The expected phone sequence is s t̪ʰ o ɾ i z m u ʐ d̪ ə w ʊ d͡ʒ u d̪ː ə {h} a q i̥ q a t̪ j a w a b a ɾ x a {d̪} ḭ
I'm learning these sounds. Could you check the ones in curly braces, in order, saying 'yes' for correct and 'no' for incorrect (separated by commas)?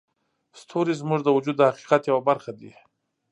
yes, yes